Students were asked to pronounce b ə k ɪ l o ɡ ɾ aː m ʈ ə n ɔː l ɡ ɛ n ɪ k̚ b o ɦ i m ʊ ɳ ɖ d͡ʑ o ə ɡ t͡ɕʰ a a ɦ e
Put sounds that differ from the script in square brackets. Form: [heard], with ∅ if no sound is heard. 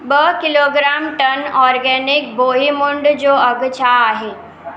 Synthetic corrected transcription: b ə k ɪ l o ɡ ɾ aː m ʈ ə n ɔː [ɾ] ɡ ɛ n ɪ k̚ b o ɦ i m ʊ ɳ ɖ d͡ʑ o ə ɡ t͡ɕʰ a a ɦ e